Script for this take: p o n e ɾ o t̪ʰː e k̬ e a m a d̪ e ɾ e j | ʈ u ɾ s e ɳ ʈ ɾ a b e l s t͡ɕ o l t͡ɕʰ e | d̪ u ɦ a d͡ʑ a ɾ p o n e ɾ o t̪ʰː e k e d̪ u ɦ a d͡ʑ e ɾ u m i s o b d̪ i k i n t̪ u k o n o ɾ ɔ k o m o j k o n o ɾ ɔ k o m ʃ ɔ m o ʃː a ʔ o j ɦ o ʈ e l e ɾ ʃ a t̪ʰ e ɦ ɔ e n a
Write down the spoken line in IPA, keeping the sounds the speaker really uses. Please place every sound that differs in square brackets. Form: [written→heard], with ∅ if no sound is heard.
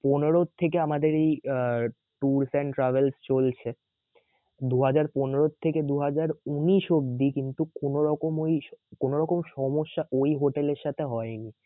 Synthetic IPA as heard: p o n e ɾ o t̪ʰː e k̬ e a m a d̪ e ɾ e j | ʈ u ɾ s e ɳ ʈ ɾ a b e l s t͡ɕ o l t͡ɕʰ e | d̪ u ɦ a d͡ʑ a ɾ p o n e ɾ o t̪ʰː e k e d̪ u ɦ a d͡ʑ [e→a] ɾ u [m→n] i [s→ʃ] o b d̪ i k i n t̪ u k o n o ɾ ɔ k o m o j k o n o ɾ ɔ k o m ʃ ɔ m o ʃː a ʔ o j ɦ o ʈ e l e ɾ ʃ a t̪ʰ e ɦ ɔ e n [a→i]